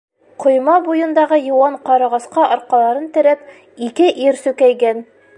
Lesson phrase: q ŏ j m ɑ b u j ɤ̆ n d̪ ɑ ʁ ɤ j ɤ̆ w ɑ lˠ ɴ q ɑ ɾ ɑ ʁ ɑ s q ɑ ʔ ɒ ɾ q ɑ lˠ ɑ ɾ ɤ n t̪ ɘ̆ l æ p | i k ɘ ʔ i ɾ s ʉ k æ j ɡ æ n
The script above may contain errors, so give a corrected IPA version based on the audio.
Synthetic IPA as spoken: q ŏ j m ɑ b u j ɤ̆ n d̪ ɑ ʁ ɤ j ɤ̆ w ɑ ɴ q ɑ ɾ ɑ ʁ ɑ s q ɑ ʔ ɒ ɾ q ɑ lˠ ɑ ɾ ɤ n t̪ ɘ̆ ɾ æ p | i k ɘ ʔ i ɾ s ʉ k æ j ɡ æ n